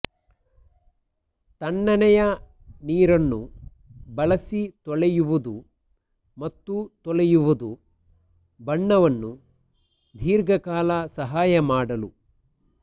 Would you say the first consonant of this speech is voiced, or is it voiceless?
voiceless